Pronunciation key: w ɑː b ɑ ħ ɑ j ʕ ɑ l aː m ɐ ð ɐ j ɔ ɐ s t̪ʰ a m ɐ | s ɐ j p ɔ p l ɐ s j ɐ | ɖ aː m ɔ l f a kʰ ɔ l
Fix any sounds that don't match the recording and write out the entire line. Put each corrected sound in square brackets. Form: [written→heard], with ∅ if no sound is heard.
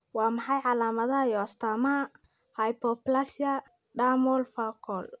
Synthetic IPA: w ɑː [b→m] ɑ ħ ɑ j ʕ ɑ l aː m ɐ ð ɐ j ɔ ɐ s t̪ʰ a m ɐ | [s→h] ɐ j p ɔ p l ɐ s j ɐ | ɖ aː m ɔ l f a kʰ ɔ l